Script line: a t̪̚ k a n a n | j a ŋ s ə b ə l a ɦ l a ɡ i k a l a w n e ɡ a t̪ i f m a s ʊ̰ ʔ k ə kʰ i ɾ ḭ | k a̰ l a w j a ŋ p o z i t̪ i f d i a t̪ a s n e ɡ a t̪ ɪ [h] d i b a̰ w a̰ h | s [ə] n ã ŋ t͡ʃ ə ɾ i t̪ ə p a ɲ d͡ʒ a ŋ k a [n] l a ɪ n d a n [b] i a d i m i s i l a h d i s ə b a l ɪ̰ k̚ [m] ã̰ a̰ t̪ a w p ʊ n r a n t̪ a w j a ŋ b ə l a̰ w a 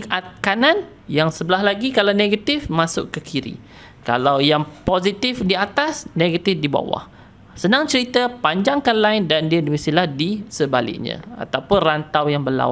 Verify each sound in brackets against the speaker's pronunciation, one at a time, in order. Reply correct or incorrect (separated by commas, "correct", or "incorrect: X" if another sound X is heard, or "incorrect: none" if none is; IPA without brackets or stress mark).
incorrect: f, correct, correct, incorrect: d, incorrect: ɲ